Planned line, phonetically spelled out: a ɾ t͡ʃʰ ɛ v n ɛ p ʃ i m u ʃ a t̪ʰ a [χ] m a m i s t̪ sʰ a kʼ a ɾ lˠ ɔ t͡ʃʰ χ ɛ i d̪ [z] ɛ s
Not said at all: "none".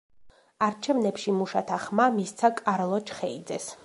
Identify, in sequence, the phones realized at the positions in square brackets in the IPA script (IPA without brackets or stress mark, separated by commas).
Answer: χ, z